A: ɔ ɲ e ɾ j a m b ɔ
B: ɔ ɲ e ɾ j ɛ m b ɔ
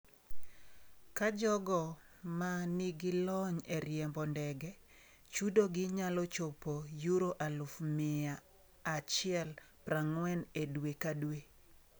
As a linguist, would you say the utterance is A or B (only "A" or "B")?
B